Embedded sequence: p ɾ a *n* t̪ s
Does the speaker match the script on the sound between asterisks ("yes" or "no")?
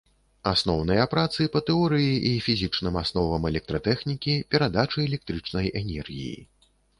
no